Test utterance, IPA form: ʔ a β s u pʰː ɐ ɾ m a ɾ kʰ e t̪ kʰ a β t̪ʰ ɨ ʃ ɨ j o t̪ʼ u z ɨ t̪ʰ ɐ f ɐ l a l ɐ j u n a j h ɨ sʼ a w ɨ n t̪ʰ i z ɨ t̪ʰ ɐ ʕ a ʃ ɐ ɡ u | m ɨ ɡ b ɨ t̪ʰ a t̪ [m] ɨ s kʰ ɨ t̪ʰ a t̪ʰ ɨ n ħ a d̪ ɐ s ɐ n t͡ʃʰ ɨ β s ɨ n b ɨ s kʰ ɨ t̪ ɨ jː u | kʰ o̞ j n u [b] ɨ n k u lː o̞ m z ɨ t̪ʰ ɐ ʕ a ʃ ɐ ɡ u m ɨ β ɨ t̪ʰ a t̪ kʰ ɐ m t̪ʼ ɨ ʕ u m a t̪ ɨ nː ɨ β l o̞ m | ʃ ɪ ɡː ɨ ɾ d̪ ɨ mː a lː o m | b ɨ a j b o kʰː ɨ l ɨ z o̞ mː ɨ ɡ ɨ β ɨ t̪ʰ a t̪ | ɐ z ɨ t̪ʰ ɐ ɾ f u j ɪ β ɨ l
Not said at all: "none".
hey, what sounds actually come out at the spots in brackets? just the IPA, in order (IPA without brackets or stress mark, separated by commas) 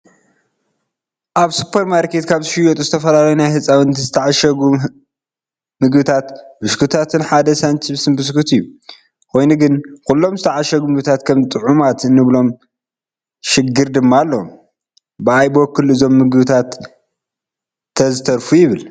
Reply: b, ɡ